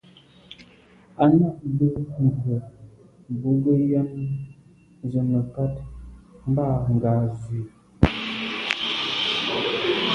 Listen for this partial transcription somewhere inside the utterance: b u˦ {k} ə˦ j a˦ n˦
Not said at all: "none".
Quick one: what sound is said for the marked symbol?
ɡ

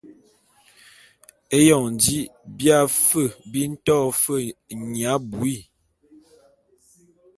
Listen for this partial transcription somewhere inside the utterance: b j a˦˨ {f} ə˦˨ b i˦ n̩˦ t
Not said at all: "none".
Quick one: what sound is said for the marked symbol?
f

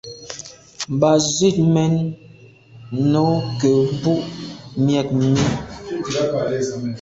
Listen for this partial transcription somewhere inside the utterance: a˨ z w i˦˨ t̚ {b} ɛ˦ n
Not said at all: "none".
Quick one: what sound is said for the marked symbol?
m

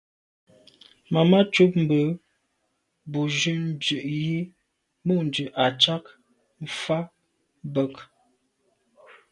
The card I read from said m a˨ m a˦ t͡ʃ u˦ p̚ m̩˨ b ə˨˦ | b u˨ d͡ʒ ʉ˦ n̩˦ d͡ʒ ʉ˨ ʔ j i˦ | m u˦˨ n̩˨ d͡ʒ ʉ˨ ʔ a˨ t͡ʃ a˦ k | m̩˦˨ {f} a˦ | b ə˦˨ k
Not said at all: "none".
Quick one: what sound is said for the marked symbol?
f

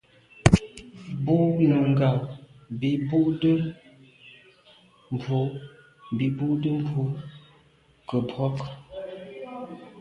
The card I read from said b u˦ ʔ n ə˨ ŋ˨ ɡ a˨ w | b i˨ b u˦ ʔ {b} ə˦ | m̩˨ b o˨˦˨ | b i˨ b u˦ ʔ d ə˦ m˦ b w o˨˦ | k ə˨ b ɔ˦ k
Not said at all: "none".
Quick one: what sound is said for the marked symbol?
d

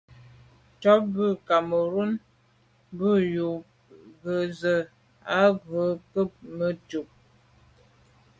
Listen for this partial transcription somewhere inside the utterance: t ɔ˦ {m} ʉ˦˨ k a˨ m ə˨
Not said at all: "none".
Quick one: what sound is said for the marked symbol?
b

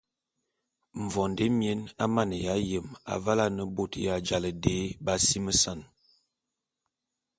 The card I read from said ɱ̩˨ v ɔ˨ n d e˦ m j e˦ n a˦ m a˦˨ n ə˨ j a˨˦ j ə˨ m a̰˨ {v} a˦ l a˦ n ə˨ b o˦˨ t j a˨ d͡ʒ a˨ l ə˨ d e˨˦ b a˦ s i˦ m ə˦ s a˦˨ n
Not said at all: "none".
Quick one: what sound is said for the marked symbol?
v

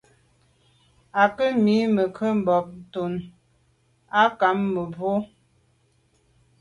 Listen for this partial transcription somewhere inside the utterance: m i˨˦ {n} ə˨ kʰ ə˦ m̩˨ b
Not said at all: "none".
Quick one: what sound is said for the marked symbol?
m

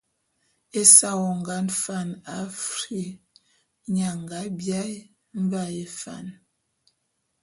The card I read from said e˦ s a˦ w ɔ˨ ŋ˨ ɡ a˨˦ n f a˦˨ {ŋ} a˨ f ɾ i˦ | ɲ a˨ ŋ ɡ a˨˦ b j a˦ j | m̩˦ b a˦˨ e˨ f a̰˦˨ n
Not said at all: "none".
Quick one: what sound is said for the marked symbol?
n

